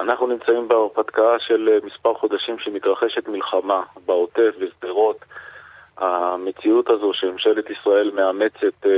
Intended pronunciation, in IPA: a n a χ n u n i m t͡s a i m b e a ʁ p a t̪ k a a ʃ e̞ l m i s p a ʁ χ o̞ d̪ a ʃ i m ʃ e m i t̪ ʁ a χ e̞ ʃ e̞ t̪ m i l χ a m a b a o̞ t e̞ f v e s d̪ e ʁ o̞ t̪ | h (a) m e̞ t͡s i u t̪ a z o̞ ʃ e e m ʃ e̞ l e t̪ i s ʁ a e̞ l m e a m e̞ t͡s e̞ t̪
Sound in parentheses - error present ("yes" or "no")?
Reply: no